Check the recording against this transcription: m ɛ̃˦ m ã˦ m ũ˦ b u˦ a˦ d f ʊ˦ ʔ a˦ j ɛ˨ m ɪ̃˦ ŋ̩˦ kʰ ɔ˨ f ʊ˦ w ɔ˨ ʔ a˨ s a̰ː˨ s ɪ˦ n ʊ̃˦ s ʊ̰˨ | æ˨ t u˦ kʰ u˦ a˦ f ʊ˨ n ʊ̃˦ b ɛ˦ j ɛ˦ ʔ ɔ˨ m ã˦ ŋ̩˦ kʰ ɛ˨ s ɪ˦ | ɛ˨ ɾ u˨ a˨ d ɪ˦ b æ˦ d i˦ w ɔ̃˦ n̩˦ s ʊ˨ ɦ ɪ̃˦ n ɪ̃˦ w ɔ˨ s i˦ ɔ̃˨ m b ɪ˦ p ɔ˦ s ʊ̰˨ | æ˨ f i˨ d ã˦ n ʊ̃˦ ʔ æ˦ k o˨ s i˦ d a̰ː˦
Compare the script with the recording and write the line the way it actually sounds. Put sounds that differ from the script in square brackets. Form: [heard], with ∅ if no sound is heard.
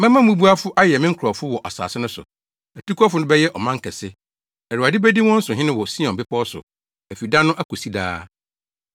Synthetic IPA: m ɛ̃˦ m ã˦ m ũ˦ b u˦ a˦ [∅] f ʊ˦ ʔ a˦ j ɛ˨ m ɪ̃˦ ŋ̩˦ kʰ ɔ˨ f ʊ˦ w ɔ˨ ʔ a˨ s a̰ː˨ s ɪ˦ n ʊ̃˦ s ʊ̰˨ | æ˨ t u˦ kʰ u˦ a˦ f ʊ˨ n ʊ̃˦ b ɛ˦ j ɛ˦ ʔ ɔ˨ m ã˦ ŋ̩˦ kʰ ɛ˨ s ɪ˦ | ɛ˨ ɾ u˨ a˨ d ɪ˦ b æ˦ d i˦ w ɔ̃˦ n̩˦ s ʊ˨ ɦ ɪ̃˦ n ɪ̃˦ w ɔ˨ s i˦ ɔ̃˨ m b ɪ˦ p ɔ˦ s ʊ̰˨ | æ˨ f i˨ d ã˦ n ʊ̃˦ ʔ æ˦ k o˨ s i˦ d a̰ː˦